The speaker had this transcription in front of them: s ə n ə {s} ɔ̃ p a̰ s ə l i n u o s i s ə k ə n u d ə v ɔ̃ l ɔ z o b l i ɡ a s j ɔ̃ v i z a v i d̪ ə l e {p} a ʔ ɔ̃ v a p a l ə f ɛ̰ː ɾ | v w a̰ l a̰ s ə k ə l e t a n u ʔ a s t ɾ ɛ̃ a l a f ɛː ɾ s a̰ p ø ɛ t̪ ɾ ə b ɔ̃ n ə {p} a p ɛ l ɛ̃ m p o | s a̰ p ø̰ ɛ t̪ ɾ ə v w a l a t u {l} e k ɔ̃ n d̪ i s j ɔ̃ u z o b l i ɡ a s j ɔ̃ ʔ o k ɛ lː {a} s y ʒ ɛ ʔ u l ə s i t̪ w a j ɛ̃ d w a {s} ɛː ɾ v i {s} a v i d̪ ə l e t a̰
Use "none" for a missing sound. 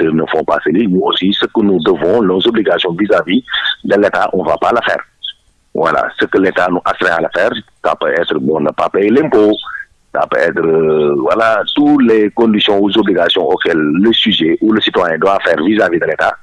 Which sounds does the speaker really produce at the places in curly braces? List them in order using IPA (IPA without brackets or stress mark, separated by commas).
f, t, p, l, ə, f, z